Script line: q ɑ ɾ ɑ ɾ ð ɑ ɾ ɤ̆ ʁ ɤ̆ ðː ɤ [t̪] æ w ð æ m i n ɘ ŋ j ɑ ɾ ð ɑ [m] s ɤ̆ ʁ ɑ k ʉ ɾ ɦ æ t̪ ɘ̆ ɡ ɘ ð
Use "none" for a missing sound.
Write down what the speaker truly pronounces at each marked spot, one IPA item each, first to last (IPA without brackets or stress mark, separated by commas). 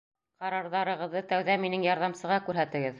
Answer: t̪, m